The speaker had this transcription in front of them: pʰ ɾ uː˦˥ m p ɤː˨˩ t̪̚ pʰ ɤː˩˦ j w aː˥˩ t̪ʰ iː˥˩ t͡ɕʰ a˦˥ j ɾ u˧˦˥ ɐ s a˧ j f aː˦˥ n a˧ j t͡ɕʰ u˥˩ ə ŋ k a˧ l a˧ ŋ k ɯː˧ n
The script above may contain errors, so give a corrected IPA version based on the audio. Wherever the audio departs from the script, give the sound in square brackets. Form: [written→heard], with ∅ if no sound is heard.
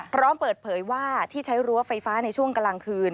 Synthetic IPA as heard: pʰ ɾ [uː˦˥→ɔː˦˥] m p ɤː˨˩ t̪̚ pʰ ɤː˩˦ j w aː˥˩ t̪ʰ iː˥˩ t͡ɕʰ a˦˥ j ɾ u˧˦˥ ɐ [s→f] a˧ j f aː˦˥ n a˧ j t͡ɕʰ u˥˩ ə ŋ k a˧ l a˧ ŋ [k→kʰ] ɯː˧ n